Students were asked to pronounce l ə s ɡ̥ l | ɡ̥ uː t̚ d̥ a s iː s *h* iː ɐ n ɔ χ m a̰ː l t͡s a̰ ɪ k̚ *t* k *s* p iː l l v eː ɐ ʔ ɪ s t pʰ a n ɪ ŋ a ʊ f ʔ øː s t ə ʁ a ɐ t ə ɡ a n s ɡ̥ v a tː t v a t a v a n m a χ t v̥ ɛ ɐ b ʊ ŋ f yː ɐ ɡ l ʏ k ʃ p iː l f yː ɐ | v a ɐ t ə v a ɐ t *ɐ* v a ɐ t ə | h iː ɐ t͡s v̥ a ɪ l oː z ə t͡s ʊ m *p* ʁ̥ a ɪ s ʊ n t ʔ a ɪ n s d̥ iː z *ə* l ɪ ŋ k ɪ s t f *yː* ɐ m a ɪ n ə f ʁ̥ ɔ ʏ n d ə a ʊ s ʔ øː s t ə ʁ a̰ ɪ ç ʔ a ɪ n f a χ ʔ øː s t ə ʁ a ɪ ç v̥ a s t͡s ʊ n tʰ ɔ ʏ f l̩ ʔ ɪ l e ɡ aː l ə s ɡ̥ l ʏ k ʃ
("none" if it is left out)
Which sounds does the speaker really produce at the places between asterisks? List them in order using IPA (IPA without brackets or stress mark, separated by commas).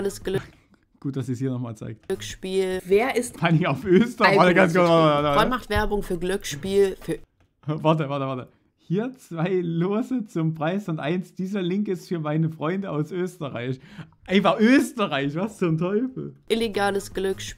h, t, ʃ, ə, p, ɐ, yː